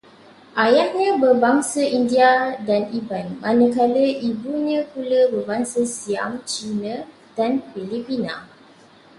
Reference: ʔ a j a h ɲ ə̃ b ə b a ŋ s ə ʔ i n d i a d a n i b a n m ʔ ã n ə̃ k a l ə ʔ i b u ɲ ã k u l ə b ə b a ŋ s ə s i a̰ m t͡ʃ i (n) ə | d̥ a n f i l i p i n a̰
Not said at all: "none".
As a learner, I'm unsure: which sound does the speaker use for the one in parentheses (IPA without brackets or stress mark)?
n